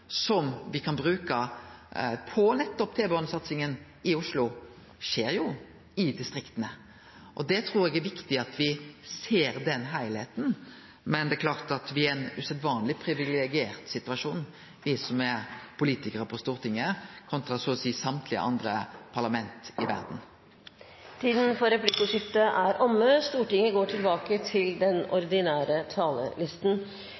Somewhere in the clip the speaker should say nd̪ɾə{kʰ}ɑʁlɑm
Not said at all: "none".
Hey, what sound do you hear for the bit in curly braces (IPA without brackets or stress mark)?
pʰ